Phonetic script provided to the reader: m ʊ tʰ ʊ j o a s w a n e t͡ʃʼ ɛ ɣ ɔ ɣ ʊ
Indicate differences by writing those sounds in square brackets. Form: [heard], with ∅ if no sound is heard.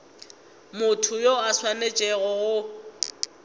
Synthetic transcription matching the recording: m ʊ tʰ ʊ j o a s w a n e t͡ʃʼ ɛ ɣ ɔ ɣ ʊ

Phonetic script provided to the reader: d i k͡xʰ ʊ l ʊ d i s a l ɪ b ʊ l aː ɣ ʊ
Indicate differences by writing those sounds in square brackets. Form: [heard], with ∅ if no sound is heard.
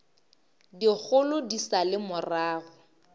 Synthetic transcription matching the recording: d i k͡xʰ ʊ l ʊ d i s a l ɪ [m] ʊ [r] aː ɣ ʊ

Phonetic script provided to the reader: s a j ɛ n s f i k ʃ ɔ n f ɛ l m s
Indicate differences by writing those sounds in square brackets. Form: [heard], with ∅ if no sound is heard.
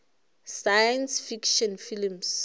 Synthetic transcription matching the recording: s a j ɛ n s f i k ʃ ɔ n f [i] l m s

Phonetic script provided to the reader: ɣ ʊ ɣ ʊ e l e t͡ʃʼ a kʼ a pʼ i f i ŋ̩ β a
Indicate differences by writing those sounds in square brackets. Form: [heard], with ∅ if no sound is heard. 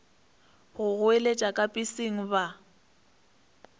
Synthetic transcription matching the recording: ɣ ʊ ɣ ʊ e l e t͡ʃʼ a kʼ a pʼ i [s] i ŋ̩ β a

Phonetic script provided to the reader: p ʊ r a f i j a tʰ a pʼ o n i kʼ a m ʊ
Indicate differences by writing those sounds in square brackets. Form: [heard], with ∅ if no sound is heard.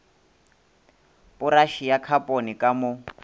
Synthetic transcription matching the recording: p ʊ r a [ʃ] i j a [kʰ] a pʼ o n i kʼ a m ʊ

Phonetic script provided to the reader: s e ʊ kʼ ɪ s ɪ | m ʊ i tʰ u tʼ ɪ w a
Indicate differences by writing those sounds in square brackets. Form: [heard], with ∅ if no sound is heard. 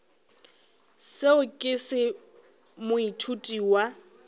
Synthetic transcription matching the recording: s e ʊ kʼ ɪ s ɪ | m ʊ i tʰ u tʼ [i] w a

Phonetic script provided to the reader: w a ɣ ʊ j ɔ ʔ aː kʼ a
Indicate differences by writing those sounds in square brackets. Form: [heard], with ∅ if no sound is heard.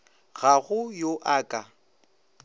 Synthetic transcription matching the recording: [ɣ] a ɣ ʊ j [o] ʔ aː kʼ a

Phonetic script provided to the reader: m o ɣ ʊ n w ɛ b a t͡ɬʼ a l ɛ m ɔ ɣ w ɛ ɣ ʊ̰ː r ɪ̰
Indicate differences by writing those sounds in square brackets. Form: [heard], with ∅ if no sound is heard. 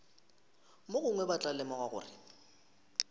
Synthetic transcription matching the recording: m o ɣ ʊ [ŋ] w ɛ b a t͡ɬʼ a l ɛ m ɔ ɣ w [a] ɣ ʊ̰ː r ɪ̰

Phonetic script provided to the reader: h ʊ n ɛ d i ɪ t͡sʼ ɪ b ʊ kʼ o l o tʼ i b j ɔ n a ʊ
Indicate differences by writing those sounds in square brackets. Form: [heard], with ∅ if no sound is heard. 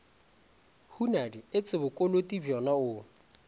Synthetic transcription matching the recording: h [u] n [a] d i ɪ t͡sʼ ɪ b ʊ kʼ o l o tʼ i b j ɔ n a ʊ

